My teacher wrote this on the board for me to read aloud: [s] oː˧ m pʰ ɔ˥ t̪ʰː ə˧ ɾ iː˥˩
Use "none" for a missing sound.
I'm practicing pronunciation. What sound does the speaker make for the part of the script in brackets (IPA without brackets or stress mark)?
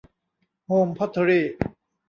h